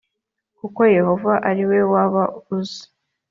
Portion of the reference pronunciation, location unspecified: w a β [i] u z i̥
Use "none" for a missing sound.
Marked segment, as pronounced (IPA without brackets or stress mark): a